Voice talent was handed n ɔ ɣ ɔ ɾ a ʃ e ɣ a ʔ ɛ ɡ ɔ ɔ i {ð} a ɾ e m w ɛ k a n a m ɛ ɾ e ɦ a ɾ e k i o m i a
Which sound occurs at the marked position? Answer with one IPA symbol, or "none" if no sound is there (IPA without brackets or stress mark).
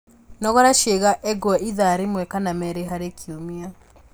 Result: ð